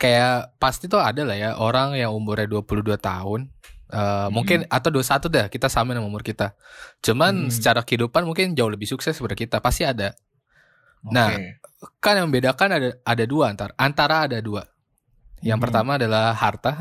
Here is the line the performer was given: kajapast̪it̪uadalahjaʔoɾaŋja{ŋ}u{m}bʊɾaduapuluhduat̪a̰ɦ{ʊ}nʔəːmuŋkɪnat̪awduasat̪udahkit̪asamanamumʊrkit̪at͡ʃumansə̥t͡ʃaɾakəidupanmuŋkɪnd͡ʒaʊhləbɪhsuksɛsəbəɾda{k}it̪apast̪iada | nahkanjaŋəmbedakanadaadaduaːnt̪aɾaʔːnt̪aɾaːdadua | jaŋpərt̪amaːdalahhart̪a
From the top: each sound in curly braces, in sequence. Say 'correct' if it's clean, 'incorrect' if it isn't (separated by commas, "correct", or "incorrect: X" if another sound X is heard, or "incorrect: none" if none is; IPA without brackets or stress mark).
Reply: correct, correct, correct, correct